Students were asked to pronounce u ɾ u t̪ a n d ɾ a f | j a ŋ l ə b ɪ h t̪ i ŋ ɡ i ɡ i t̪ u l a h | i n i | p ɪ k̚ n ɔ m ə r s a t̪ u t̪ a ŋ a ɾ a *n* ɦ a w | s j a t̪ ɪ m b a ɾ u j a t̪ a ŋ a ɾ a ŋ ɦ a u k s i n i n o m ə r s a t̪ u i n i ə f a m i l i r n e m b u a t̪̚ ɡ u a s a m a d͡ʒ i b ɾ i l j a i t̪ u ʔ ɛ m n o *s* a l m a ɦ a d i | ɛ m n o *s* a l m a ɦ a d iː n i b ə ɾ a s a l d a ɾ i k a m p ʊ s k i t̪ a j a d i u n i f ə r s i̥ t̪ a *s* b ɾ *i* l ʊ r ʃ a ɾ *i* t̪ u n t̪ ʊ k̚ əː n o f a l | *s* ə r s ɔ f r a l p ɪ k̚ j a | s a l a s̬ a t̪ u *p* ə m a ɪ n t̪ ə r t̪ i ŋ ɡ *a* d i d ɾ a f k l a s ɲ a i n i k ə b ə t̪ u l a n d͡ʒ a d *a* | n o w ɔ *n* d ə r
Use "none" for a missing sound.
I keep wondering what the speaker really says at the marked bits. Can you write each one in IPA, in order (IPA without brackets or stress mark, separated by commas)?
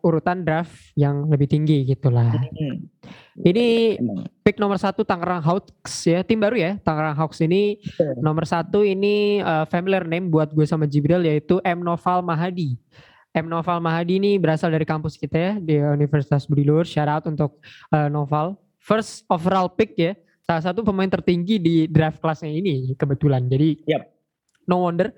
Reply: ŋ, f, f, s, i, a, f, p, i, i, n